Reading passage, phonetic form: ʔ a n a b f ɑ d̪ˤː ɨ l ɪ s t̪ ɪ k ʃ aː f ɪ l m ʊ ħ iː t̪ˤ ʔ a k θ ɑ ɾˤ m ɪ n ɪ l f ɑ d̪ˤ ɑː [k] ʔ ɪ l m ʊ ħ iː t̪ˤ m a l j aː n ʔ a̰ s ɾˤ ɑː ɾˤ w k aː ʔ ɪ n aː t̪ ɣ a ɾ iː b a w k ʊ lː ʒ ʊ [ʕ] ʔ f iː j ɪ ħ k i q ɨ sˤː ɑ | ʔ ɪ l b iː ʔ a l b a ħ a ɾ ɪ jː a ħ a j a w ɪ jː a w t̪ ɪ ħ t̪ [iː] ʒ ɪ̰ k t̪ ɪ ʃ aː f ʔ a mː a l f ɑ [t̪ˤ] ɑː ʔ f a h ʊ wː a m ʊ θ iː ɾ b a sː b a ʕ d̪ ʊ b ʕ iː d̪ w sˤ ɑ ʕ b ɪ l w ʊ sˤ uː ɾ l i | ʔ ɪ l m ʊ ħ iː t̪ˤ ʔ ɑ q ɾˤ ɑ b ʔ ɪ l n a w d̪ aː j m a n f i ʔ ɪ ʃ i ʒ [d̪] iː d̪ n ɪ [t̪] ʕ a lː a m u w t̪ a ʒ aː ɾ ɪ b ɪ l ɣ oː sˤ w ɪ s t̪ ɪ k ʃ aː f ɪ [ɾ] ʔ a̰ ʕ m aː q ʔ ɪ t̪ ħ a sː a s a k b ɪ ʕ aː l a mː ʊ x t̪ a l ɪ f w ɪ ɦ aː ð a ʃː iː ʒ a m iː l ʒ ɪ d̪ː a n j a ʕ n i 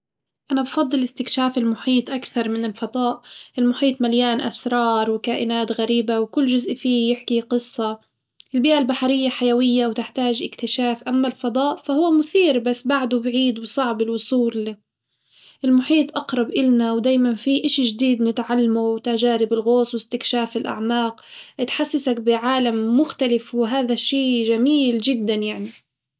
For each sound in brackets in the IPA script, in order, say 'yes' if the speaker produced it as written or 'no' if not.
no, no, no, no, yes, yes, no

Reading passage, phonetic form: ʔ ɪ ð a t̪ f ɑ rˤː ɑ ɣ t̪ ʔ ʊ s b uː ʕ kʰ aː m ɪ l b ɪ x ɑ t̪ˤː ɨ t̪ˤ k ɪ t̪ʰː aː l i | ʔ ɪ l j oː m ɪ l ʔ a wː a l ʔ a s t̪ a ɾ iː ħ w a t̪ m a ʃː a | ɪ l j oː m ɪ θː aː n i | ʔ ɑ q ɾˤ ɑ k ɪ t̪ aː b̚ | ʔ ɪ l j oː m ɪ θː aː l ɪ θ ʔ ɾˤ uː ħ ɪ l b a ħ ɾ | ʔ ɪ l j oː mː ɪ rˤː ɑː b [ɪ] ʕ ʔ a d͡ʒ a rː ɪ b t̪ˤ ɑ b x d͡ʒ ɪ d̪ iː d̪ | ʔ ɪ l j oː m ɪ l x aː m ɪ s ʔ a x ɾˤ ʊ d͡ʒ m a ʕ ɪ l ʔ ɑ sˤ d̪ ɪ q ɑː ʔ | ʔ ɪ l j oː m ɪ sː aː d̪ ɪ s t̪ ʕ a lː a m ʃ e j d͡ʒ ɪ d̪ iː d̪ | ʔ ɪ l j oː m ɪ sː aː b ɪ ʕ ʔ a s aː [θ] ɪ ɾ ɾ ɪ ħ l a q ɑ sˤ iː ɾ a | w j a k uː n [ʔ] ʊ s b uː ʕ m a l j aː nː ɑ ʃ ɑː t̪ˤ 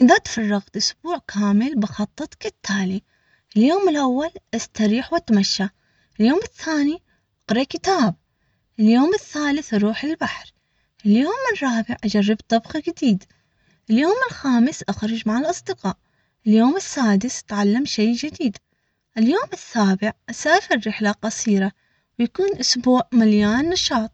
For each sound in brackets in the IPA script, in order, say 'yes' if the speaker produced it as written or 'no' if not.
yes, no, yes

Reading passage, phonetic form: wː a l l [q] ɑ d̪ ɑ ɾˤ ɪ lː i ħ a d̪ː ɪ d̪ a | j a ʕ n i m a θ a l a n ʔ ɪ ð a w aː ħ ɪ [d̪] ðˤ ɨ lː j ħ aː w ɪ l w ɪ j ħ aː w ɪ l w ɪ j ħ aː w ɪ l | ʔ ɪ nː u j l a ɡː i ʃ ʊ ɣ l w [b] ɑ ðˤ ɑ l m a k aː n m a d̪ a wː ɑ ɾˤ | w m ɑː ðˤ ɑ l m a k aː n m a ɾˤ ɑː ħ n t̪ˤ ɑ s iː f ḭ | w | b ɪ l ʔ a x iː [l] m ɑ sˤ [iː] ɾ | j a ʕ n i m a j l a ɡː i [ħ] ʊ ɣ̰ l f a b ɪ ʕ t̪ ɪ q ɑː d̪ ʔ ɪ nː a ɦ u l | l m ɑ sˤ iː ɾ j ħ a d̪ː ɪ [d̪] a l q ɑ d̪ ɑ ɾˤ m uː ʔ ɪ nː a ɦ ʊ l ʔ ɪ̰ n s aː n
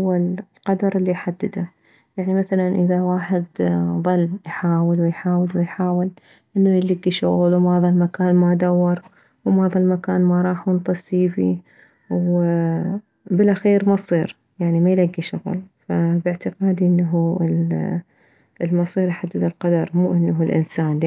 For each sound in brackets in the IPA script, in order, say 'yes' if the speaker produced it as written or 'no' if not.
yes, yes, no, no, yes, no, yes

